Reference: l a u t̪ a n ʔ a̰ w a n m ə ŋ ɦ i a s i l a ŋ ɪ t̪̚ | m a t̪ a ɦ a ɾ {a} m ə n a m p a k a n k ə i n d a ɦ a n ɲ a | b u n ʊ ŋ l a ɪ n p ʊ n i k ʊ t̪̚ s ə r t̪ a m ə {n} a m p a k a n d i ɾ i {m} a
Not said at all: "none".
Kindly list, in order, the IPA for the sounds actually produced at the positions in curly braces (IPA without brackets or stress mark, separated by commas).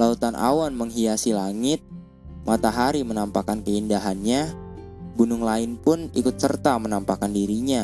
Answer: i, n, ɲ